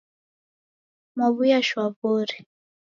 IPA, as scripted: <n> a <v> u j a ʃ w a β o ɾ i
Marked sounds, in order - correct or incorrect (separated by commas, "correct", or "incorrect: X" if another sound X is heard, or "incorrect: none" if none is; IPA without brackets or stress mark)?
incorrect: m, incorrect: β